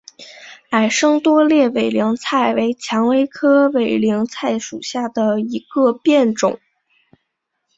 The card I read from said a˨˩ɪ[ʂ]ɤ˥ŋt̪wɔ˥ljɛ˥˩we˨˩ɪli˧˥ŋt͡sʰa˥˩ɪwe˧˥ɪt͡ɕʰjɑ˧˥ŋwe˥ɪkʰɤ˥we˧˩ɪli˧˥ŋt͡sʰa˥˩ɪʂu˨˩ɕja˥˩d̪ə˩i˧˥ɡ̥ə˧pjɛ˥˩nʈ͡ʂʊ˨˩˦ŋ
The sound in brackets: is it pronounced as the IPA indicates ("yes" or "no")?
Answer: yes